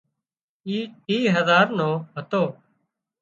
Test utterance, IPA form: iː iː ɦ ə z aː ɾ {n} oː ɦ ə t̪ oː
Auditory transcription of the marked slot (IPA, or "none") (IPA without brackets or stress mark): n